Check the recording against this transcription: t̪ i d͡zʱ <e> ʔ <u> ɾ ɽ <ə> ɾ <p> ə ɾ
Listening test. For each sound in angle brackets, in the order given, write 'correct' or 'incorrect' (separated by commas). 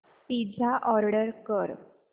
incorrect, incorrect, correct, incorrect